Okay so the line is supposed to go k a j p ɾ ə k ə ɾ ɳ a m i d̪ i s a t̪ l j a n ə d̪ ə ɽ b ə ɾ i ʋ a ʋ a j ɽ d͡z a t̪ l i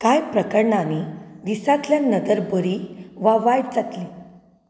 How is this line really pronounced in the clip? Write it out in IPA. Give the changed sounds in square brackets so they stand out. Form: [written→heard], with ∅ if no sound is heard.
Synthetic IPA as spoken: k a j p ɾ ə k ə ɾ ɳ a [m→n] i d̪ i s a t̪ l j a n ə d̪ ə [ɽ→ɾ] b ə ɾ i ʋ a ʋ a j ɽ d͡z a t̪ l i

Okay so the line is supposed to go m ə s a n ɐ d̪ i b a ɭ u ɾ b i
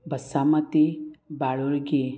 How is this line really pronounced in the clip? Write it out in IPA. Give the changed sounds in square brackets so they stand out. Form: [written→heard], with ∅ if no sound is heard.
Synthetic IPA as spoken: [m→b] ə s a [n→m] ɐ [d̪→t̪] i b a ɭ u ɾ [b→ɡ] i

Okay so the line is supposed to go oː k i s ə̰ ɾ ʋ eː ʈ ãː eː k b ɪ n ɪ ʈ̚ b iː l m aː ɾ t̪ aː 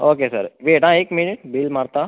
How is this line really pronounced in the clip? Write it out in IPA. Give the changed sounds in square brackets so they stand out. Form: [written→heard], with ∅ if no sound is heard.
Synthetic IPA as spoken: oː k [i→e] s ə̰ ɾ ʋ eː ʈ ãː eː k [b→m] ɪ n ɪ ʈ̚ b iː l m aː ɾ t̪ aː

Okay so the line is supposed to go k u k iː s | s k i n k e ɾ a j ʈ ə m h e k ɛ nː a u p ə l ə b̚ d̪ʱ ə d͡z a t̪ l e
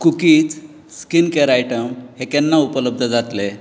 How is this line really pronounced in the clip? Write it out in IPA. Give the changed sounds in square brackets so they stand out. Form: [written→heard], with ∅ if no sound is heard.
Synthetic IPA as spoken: k u k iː [s→t͡s] | s k i n k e ɾ a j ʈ ə m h e k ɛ nː a u p ə l ə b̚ d̪ʱ ə d͡z a t̪ l e

